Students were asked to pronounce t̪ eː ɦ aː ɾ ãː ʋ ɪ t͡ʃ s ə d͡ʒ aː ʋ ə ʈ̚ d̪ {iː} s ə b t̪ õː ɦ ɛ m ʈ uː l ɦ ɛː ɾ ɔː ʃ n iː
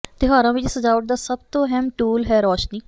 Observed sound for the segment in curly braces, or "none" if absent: aː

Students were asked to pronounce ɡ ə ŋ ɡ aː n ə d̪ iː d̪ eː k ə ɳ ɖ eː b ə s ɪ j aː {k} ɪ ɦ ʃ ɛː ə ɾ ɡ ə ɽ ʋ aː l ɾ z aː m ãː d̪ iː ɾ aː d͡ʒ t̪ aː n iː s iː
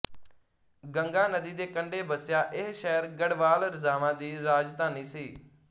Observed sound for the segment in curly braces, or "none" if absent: ʔ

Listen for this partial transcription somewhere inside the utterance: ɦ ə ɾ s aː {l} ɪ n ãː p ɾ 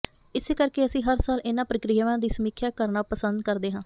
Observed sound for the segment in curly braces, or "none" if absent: l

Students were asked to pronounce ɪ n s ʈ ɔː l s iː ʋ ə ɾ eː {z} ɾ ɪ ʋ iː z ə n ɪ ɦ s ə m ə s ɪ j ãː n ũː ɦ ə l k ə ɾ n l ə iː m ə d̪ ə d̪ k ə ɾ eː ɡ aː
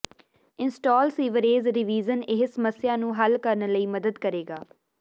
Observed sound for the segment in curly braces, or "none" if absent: z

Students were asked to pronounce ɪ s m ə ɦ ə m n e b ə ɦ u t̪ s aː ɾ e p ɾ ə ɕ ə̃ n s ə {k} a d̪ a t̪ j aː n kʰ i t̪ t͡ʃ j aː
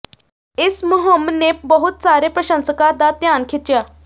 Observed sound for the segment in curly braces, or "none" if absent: k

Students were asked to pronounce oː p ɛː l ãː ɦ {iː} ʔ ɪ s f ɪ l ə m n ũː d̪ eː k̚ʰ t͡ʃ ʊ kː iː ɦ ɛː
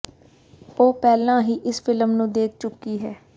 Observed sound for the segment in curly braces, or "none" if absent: iː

